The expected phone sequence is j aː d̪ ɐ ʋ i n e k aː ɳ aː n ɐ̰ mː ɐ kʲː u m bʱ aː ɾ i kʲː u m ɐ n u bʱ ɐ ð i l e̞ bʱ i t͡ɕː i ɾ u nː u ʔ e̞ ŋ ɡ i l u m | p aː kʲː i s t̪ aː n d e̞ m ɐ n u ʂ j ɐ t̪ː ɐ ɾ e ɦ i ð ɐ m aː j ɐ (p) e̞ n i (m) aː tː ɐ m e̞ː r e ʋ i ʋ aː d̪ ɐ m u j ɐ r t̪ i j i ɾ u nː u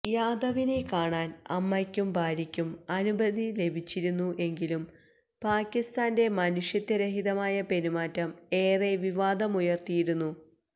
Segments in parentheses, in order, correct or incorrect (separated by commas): correct, correct